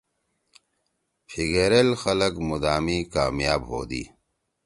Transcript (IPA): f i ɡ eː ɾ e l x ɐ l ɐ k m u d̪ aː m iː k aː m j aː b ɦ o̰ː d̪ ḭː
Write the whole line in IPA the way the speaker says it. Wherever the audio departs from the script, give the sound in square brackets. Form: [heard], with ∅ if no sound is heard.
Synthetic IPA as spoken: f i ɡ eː ɾ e l x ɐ l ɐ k m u d̪ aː m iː k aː m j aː b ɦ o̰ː d̪ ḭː